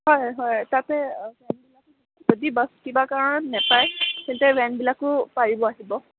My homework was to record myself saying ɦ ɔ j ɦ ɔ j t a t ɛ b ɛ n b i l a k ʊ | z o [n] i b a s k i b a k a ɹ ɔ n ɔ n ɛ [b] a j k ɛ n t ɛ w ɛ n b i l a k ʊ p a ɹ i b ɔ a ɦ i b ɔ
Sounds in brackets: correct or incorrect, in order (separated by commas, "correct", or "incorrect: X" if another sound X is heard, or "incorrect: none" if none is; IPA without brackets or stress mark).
incorrect: d, incorrect: p